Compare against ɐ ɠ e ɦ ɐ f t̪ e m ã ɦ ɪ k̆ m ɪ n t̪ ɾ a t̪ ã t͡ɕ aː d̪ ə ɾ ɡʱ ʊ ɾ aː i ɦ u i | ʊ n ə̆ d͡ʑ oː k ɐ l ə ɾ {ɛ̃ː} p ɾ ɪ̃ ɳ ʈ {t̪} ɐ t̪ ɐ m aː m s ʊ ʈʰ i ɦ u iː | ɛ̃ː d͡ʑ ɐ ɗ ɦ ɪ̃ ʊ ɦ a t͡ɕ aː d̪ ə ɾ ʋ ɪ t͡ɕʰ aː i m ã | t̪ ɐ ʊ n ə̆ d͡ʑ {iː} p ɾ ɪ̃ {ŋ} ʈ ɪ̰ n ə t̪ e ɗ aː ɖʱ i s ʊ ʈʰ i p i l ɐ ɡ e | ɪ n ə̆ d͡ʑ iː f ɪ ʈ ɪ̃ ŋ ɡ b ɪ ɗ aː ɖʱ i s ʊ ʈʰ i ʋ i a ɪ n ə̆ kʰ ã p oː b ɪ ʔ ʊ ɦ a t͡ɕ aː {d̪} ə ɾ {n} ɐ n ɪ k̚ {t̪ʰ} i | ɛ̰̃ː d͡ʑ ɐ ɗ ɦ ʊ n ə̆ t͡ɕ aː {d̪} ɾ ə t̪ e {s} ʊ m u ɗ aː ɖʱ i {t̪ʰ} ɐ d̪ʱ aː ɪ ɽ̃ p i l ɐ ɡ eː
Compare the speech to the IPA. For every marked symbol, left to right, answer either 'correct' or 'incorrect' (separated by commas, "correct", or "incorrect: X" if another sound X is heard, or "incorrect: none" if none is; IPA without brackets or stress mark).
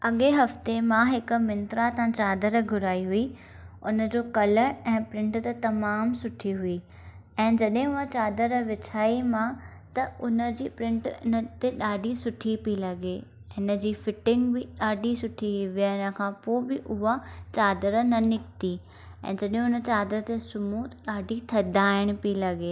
correct, correct, correct, incorrect: ɳ, correct, correct, incorrect: t̪, correct, correct, correct